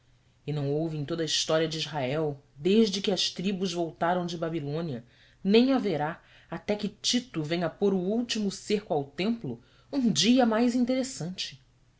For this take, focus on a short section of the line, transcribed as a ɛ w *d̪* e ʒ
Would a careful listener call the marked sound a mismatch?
no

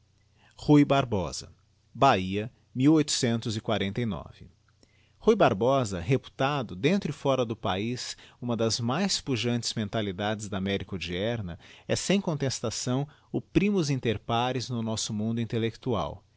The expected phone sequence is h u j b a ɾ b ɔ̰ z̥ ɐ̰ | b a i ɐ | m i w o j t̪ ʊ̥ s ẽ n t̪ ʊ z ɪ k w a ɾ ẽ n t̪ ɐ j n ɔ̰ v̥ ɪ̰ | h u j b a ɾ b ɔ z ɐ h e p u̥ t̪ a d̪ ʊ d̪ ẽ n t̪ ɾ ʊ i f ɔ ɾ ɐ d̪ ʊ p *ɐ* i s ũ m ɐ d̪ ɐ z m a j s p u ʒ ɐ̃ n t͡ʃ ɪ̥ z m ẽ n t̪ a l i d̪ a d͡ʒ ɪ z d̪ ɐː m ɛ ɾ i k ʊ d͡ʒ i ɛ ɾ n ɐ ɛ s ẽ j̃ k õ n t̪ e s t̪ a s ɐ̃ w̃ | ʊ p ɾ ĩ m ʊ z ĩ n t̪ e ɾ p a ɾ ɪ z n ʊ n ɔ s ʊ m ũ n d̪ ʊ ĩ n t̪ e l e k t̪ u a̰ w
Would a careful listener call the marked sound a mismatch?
yes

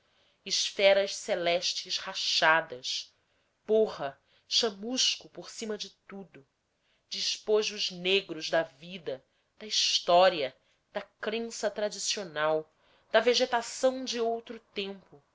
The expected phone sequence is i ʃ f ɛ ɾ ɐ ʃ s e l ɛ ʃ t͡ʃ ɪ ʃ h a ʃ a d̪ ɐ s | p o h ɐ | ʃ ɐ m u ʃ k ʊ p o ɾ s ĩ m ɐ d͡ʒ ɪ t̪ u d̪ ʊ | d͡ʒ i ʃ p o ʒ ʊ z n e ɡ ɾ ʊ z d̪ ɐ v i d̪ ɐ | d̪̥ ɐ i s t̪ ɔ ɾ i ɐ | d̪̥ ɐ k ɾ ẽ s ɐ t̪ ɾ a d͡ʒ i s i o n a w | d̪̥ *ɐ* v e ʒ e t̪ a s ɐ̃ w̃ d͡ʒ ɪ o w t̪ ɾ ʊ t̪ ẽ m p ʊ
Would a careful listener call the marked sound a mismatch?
no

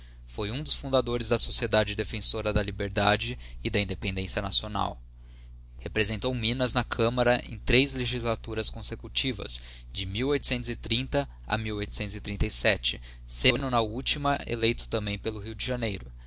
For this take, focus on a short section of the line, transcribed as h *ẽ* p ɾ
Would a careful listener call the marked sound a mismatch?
yes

